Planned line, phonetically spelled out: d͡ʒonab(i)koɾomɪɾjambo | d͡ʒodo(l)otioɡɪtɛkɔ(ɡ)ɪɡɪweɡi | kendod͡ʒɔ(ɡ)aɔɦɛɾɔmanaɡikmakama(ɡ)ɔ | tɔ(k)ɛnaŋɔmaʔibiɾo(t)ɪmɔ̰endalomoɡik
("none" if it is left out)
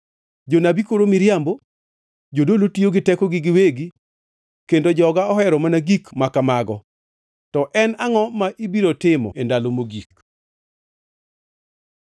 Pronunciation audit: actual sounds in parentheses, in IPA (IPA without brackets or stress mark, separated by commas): i, l, ɡ, ɡ, ɡ, ʔ, t